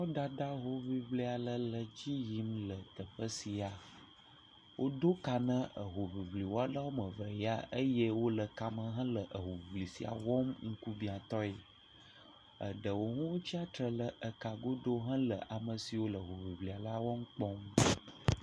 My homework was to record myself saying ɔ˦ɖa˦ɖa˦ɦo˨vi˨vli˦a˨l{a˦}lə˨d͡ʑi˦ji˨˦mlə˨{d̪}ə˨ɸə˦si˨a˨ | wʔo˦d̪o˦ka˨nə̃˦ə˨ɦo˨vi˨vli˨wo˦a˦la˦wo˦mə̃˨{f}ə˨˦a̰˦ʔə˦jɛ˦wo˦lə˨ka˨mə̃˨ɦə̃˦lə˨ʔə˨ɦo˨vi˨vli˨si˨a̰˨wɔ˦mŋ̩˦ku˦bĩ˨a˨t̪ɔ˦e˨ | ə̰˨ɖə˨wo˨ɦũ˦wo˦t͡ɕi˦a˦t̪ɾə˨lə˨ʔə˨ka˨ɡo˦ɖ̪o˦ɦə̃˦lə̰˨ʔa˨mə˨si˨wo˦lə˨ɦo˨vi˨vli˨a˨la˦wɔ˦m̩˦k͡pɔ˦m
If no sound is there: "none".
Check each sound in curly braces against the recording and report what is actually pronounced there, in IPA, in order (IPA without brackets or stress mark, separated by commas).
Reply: ə˦, t̪, v